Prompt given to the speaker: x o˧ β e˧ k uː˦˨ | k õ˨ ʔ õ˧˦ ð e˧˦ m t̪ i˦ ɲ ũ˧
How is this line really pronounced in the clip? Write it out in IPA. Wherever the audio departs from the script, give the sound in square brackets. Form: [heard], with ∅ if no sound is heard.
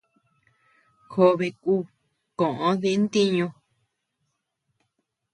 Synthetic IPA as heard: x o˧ β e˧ k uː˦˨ | k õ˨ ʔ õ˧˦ ð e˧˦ [n] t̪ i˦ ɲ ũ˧